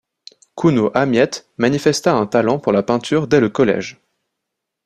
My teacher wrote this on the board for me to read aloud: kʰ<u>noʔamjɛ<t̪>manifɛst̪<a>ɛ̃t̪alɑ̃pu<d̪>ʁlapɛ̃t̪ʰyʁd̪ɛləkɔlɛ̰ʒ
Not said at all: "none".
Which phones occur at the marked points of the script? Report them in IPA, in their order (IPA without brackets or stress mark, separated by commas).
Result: u, t̪, a, none